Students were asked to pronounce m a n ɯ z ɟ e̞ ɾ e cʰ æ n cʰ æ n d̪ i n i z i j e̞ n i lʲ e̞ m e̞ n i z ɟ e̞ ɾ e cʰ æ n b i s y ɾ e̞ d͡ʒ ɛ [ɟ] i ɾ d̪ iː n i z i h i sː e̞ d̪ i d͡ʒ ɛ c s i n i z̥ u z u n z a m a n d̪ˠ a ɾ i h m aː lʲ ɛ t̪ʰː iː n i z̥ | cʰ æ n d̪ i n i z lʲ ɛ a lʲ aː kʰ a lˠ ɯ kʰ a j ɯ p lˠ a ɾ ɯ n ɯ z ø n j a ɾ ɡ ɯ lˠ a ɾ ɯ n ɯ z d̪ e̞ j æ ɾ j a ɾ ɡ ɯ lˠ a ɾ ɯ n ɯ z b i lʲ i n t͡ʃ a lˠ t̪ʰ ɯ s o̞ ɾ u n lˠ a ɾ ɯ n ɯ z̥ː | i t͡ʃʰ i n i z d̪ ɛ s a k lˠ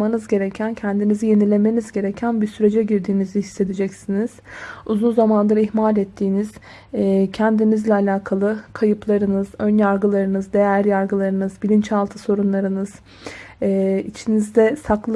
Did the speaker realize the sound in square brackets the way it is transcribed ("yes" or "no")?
yes